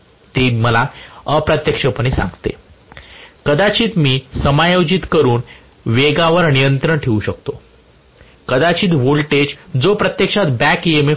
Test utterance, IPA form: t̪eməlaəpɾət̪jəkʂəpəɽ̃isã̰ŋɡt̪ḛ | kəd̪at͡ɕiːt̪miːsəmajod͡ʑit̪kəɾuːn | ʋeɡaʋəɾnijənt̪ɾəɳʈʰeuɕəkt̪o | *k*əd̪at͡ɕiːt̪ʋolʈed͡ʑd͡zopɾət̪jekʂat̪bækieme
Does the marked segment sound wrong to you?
no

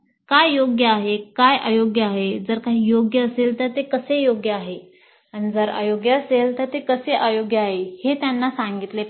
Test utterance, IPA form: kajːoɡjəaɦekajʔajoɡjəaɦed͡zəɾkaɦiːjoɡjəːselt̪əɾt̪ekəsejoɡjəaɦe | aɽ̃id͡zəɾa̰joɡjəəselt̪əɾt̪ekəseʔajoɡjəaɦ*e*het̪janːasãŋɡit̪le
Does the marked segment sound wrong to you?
no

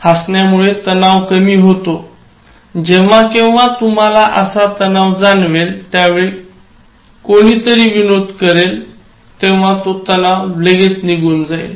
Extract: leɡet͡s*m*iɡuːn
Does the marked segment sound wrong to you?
yes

